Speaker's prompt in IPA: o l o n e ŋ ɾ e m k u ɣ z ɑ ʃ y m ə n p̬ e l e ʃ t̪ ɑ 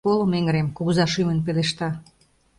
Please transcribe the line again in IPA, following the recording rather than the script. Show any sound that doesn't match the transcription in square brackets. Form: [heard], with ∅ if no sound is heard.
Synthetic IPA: o l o [m] e ŋ ɾ e m k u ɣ z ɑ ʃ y m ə n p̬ e l e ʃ t̪ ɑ